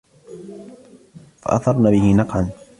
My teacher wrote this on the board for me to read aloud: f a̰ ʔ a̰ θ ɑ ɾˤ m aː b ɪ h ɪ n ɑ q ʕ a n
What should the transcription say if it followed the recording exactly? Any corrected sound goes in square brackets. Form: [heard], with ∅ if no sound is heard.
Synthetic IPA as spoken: f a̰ ʔ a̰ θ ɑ ɾˤ [n] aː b ɪ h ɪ n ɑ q ʕ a n